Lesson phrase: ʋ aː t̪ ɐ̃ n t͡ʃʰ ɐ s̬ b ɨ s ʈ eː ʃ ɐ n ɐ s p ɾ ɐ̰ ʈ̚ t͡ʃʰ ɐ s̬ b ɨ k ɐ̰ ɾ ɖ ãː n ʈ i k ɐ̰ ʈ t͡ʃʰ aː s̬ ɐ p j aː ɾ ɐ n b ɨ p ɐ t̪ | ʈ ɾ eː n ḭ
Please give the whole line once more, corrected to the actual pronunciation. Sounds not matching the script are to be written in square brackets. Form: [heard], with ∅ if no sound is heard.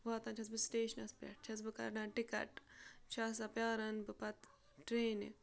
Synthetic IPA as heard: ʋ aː t̪ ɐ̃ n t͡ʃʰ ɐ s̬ b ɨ s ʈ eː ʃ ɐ n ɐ s p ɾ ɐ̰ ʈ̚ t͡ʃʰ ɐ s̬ b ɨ k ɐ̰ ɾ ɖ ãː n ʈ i k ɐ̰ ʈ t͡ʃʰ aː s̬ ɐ p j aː ɾ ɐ n b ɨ p ɐ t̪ | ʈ ɾ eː n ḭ

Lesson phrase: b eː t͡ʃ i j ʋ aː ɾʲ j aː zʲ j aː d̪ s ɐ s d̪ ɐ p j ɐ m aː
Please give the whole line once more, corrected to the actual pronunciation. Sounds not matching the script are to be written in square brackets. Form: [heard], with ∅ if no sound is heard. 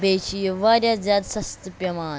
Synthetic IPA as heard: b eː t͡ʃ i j ʋ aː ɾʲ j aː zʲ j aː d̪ s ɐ s [t̪] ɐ p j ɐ m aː

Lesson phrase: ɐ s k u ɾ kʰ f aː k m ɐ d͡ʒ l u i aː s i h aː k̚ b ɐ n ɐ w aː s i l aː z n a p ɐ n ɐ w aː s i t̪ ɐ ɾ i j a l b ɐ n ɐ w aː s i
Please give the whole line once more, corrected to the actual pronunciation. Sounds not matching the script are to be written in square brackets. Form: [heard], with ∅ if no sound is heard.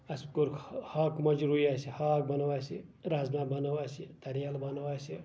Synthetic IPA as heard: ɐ s k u ɾ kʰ [h] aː k m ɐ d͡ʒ [ɾ] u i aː s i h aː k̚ b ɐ n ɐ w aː s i [ɾ] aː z n a [b] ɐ n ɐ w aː s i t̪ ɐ ɾ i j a l b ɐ n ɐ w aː s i

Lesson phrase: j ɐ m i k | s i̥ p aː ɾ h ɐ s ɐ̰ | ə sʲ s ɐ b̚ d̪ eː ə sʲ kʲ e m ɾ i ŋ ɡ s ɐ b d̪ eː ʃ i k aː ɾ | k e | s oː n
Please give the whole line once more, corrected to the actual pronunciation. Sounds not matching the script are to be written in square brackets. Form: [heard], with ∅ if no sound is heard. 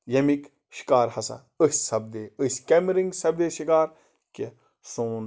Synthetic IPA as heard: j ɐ m i k | [ʃ] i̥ [k] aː ɾ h ɐ s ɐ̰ | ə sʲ s ɐ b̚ d̪ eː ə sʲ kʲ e m ɾ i ŋ ɡ s ɐ b d̪ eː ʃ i k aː ɾ | k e | s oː n

